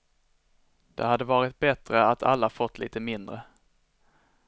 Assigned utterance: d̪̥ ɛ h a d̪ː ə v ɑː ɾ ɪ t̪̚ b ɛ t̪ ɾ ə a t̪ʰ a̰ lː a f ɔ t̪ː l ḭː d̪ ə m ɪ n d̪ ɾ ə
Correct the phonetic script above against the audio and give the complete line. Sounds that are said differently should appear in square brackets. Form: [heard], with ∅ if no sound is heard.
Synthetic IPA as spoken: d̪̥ ɛ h a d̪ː ə v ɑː ɾ ɪ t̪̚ b ɛ t̪ ɾ ə a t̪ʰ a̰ lː a f ɔ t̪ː l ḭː [t̪] ə m ɪ n d̪ ɾ ə